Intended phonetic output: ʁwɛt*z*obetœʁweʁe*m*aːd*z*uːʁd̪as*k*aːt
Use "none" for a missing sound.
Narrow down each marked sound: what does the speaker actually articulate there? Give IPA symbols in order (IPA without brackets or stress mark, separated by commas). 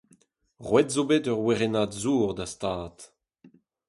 z, n, z, t